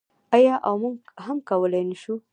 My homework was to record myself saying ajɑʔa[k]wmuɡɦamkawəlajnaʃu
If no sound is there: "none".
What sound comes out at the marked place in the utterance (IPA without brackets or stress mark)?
none